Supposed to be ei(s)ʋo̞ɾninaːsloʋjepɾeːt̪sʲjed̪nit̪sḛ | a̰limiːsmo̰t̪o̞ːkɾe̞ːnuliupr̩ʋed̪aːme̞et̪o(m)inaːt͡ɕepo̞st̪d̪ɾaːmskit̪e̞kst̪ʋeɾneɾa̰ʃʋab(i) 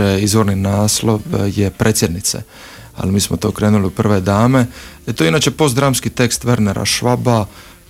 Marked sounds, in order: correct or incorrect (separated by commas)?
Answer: incorrect, incorrect, incorrect